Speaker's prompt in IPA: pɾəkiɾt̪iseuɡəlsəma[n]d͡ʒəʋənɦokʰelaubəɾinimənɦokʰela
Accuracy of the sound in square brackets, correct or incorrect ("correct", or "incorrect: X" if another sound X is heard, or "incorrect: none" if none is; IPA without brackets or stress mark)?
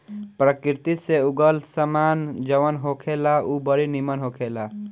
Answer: correct